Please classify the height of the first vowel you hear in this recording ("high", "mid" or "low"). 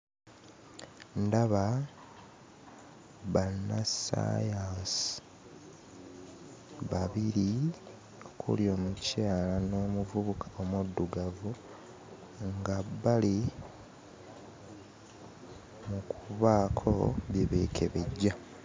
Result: low